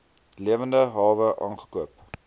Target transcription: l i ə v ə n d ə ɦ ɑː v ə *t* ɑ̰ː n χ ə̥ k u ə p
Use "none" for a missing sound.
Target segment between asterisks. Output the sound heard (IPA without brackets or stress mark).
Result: ʔ